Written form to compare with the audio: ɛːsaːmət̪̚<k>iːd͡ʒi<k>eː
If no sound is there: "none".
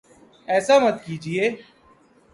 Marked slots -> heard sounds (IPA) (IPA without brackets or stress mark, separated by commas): k, none